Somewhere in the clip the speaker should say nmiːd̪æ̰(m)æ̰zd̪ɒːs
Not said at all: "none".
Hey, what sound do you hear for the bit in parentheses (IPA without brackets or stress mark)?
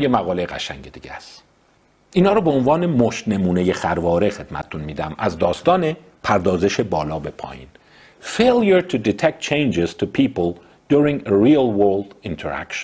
m